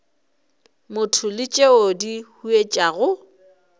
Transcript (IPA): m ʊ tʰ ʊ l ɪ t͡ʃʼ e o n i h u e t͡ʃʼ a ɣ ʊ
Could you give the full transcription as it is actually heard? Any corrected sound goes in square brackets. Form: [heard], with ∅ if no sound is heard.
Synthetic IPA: m ʊ tʰ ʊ l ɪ t͡ʃʼ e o [d] i h u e t͡ʃʼ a ɣ ʊ